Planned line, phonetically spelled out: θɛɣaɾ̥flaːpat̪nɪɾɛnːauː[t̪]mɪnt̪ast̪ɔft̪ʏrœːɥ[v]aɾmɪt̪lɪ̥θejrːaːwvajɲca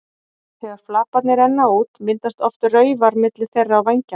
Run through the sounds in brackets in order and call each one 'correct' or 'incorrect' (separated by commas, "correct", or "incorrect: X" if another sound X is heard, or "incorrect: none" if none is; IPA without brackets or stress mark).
correct, correct